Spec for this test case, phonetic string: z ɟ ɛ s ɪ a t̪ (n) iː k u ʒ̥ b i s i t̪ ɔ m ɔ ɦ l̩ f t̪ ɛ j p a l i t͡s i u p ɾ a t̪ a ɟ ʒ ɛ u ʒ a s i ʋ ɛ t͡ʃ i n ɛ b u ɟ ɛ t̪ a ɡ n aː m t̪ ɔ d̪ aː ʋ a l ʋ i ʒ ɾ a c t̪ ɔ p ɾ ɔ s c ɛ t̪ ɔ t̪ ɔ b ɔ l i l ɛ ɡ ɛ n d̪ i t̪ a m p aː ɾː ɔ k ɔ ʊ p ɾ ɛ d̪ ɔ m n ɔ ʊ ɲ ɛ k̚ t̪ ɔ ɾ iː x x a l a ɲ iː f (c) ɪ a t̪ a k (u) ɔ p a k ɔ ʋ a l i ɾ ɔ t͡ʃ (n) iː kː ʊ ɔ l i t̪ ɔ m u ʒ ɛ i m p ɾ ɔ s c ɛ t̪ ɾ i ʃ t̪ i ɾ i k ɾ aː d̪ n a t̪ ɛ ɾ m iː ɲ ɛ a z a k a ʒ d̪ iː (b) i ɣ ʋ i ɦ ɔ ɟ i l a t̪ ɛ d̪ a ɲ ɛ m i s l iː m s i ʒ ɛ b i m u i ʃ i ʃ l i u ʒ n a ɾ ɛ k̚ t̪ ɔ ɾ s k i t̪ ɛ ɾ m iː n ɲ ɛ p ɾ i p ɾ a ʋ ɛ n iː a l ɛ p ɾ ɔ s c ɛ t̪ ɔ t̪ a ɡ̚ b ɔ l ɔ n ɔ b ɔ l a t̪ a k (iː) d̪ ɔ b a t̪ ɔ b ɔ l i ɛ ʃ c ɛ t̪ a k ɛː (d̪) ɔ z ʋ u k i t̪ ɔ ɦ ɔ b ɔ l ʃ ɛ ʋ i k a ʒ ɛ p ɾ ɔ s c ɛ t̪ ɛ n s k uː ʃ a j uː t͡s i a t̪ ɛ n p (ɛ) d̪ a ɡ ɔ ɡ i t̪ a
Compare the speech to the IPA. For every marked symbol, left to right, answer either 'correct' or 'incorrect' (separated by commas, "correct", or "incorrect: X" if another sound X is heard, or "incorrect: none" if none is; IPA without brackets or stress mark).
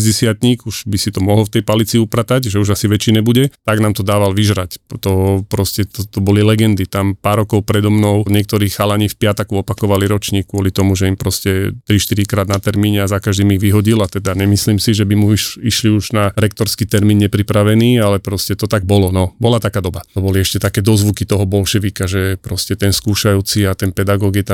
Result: incorrect: ɲ, incorrect: p, correct, incorrect: ɲ, incorrect: m, incorrect: aː, correct, correct